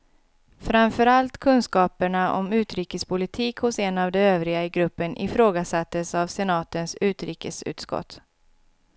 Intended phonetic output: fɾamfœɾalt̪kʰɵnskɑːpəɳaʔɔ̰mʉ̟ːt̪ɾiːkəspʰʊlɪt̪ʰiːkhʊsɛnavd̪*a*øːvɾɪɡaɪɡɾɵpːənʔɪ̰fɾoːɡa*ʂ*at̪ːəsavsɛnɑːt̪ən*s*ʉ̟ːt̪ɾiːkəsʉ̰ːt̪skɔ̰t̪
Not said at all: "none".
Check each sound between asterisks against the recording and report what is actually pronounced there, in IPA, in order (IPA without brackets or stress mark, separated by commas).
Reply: ɛ, s, s